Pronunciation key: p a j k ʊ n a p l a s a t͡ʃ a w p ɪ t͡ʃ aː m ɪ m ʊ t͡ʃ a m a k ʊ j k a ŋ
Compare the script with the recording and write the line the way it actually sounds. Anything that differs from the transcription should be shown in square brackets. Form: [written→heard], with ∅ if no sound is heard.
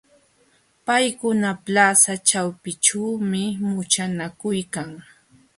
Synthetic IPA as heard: p a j k ʊ n a p l a s a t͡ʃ a w p ɪ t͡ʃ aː m ɪ m ʊ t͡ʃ a [m→n] a k ʊ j k a ŋ